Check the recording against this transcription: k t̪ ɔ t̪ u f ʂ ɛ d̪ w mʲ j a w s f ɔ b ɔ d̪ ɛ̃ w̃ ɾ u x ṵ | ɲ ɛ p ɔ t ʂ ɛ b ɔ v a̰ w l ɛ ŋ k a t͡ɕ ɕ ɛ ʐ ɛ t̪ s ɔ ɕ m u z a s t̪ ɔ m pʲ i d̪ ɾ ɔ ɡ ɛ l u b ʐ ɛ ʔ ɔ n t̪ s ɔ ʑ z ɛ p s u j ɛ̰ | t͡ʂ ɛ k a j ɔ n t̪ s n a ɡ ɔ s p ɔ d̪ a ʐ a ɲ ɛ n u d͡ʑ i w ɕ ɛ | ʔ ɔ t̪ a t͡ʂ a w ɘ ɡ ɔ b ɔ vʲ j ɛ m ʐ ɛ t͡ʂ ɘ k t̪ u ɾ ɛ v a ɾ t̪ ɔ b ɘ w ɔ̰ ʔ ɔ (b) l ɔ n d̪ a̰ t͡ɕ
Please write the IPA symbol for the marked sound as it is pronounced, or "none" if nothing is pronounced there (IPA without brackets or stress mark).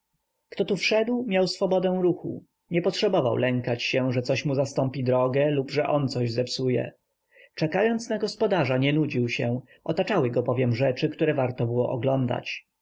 ɡ